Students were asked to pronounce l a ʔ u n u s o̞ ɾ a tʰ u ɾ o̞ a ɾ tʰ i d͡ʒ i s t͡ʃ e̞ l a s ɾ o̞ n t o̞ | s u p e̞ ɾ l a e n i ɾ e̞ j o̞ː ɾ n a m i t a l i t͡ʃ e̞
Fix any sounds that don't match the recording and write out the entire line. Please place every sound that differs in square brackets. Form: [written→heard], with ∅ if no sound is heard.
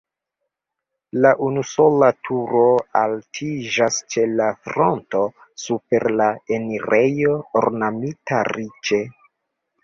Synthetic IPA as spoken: l a ʔ u n u s o̞ [ɾ→l] a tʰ u ɾ o̞ a [ɾ→l] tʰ i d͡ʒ [i→a] s t͡ʃ e̞ l a [s→f] ɾ o̞ n t o̞ | s u p e̞ ɾ l a e n i ɾ e̞ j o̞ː ɾ n a m i t a [l→ɾ] i t͡ʃ e̞